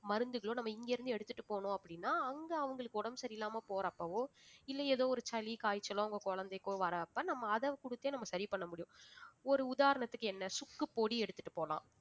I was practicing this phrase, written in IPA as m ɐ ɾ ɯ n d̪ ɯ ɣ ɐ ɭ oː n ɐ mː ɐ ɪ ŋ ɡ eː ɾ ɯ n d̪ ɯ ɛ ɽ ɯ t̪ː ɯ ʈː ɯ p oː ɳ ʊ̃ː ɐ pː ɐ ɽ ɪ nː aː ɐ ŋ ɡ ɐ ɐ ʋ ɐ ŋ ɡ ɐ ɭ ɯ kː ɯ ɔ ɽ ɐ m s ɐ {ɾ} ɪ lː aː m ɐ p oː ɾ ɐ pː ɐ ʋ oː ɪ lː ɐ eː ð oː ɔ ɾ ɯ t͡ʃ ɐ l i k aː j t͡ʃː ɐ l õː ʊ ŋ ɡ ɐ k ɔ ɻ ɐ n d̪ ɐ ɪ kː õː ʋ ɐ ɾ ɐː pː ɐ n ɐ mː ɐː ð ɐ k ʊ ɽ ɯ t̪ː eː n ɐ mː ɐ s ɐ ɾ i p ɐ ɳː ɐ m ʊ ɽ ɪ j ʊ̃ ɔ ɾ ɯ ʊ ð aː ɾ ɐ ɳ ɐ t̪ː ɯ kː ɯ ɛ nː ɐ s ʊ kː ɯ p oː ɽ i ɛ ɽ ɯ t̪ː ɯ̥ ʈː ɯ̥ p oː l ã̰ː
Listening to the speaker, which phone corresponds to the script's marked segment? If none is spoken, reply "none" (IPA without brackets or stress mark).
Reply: ɾ